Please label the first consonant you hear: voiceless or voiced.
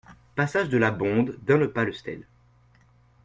voiceless